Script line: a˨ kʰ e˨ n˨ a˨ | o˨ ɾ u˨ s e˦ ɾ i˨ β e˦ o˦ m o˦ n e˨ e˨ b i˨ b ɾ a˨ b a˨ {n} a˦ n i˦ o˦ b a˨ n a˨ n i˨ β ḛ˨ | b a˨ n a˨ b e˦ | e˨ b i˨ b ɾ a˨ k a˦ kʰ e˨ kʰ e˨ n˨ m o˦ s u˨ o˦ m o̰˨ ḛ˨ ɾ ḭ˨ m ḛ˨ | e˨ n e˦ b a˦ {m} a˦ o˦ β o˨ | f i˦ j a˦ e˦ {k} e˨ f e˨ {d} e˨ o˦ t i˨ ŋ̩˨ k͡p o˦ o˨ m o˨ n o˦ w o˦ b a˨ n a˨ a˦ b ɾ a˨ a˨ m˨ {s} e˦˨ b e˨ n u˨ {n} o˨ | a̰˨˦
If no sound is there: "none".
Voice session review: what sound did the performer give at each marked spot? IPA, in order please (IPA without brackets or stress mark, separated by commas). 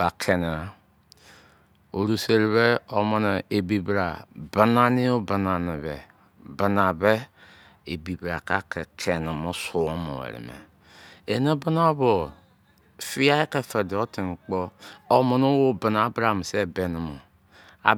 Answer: n, n, k, d, s, m